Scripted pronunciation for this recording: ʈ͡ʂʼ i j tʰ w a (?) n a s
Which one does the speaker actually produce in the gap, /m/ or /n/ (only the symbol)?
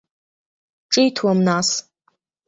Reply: m